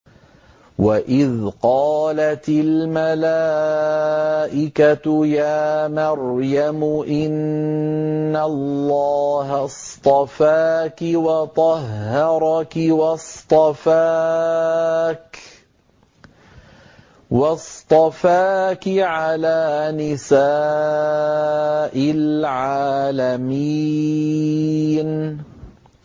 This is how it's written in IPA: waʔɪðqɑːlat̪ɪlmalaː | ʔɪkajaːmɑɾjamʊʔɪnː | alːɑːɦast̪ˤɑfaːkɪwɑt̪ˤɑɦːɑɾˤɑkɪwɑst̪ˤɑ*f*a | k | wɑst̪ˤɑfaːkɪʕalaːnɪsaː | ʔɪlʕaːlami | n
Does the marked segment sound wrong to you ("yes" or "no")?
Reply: no